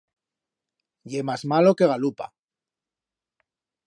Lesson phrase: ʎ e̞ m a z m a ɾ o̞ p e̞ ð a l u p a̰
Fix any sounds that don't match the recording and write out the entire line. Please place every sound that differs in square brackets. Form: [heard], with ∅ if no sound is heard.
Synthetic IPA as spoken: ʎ e̞ m a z m a [l] o̞ [k] e̞ [ɣ] a l u p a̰